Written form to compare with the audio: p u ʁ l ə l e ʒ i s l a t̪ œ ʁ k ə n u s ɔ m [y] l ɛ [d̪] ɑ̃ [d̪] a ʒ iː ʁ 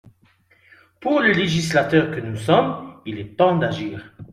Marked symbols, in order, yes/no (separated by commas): no, no, yes